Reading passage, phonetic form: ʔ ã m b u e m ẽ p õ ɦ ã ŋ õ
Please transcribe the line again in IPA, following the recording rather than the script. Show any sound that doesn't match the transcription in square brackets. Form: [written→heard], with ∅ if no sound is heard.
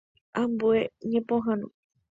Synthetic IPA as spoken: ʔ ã m b u e [m→ɲ] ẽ p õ ɦ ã [ŋ→n] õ